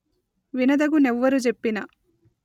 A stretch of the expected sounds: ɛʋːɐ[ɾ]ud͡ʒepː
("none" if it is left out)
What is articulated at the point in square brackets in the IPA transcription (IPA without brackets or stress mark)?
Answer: ɾ